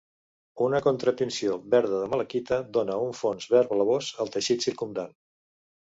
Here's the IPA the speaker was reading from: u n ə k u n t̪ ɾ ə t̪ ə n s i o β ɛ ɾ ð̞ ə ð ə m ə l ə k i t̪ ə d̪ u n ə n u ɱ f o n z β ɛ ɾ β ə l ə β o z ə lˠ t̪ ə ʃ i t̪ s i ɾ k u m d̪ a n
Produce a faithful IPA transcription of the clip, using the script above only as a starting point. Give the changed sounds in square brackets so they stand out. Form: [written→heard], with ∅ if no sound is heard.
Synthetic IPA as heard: u n ə k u n t̪ ɾ ə t̪ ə n s i o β ɛ ɾ ð̞ ə ð ə m ə l ə k i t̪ ə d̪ [u→o] n ə [n→∅] u ɱ f o n z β ɛ ɾ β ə l ə β o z ə lˠ t̪ ə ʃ i t̪ s i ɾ k u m d̪ a n